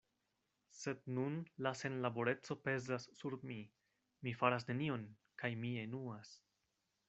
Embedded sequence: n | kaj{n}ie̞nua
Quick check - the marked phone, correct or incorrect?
incorrect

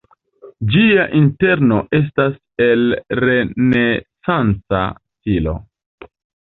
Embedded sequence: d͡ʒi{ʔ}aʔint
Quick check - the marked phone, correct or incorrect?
incorrect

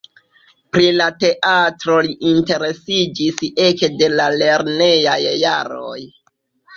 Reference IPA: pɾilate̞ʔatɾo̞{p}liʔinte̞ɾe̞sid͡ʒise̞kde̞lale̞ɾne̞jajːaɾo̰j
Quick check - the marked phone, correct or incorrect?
incorrect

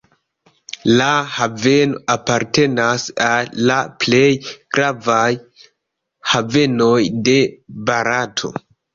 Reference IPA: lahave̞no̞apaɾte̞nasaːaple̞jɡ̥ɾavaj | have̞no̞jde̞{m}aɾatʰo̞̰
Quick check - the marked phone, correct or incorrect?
incorrect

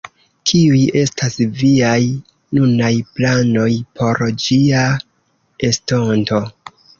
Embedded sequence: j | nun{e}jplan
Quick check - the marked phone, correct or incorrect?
incorrect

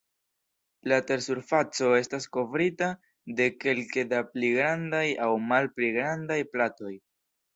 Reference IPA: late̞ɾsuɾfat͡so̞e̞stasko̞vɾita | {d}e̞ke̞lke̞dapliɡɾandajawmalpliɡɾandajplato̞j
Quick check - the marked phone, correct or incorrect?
correct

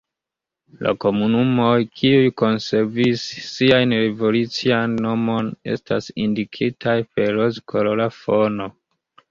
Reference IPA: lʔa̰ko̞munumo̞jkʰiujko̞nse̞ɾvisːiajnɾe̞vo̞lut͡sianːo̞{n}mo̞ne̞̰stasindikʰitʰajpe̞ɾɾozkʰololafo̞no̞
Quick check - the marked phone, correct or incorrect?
incorrect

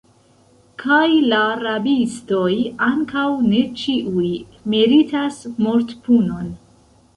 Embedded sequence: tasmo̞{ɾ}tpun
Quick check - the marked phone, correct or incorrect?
correct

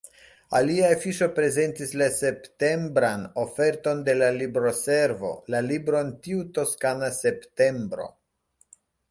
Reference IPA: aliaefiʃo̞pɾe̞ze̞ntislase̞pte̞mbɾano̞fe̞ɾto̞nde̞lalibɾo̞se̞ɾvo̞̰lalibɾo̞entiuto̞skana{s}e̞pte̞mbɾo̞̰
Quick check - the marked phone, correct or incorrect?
correct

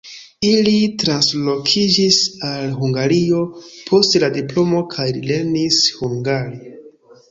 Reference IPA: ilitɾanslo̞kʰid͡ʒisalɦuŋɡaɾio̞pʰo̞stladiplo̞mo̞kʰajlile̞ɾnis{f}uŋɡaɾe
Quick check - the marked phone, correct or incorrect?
incorrect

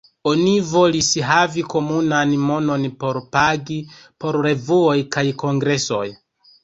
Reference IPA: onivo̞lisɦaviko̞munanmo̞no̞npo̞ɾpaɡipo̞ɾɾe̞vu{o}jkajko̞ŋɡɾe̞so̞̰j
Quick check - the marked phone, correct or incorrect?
correct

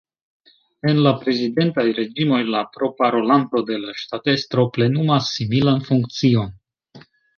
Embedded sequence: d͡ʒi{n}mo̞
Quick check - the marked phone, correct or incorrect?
incorrect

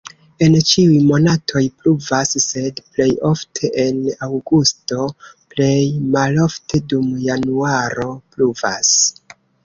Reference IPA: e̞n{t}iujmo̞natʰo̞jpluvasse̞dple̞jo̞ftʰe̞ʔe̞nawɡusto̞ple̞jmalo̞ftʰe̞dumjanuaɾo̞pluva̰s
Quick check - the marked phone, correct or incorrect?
incorrect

